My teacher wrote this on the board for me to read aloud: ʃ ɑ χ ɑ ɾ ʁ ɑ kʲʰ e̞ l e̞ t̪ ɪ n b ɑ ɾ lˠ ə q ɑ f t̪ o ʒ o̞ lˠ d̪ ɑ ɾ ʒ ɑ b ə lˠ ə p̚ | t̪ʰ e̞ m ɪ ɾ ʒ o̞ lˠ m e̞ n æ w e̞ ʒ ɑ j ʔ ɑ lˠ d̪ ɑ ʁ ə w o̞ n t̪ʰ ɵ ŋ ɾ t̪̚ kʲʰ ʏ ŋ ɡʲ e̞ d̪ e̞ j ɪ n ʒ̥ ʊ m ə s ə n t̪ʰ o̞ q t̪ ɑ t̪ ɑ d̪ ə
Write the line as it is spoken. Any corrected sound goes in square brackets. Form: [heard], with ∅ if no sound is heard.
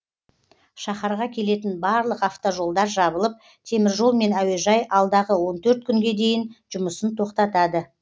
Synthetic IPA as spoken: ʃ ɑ χ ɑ ɾ ʁ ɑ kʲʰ e̞ l e̞ t̪ ɪ n b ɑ ɾ lˠ ə q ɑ f t̪ o ʒ o̞ lˠ d̪ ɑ ɾ ʒ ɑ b ə lˠ ə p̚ | t̪ʰ e̞ m ɪ ɾ ʒ o̞ lˠ m e̞ n æ w e̞ ʒ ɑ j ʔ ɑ lˠ d̪ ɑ ʁ ə w o̞ n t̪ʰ ɵ [∅] ɾ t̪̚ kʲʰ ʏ ŋ ɡʲ e̞ d̪ e̞ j ɪ n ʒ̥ ʊ m ə s ə n t̪ʰ o̞ q t̪ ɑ t̪ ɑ d̪ ə